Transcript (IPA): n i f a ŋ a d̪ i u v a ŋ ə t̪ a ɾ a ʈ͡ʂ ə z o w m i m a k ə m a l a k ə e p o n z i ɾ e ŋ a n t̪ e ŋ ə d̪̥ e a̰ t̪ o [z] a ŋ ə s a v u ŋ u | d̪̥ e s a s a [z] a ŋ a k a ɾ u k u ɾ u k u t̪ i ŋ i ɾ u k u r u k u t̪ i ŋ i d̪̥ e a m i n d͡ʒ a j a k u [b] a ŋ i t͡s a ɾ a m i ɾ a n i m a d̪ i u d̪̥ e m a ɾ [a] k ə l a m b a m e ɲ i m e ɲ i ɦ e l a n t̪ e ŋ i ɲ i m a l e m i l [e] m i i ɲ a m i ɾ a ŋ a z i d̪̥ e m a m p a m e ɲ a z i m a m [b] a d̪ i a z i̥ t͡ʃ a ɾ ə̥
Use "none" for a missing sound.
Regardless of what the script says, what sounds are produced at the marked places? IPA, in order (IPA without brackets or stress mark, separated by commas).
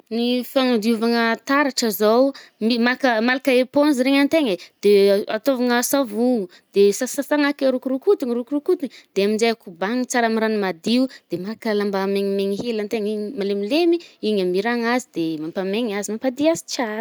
v, s, b, a, e, p